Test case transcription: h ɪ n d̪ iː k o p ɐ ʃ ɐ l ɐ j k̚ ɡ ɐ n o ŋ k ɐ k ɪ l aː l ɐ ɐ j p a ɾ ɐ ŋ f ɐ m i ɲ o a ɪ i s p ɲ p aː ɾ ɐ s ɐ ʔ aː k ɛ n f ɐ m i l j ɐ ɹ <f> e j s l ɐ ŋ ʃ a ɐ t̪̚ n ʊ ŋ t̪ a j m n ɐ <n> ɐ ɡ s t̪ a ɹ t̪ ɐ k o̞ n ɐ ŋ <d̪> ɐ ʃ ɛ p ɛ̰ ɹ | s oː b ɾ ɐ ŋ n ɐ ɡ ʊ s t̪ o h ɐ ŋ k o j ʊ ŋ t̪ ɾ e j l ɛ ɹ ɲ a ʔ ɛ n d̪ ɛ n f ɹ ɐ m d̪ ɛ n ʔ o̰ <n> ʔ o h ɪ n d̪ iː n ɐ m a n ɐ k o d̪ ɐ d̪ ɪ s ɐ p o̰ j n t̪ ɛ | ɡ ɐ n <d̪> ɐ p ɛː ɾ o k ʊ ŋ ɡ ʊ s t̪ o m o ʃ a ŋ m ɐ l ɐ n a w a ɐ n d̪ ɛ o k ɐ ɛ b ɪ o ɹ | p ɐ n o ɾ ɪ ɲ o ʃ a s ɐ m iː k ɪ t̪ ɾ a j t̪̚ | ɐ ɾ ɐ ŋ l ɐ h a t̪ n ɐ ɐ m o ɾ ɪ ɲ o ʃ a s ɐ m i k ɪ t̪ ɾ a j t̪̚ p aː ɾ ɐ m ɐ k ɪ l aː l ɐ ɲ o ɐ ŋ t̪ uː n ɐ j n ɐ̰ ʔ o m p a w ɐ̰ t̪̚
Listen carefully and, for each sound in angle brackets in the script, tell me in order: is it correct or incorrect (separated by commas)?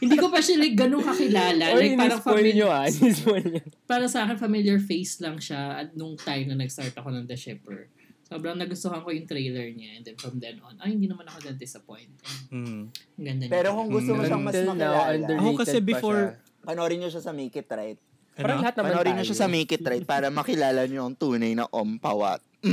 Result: correct, correct, correct, correct, correct